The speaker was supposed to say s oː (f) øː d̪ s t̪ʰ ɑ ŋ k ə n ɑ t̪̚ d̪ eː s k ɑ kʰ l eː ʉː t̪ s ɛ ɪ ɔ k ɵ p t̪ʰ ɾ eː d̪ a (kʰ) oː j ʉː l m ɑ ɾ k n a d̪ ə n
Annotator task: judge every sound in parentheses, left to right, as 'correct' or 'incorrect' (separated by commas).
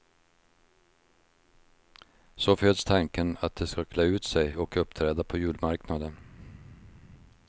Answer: correct, incorrect